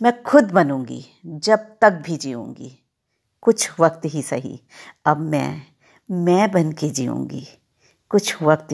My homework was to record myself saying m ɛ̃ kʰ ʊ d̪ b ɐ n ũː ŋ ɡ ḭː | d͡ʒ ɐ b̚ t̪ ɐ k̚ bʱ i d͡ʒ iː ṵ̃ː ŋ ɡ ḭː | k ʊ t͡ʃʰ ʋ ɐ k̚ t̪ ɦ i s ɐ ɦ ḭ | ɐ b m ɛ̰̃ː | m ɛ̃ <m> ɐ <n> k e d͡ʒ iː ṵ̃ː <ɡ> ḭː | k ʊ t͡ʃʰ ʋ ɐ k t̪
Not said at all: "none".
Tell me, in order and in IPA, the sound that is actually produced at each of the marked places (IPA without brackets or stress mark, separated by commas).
b, n, ɡ